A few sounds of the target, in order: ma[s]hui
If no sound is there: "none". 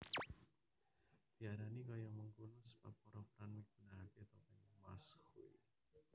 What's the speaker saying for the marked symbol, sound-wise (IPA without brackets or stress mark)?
s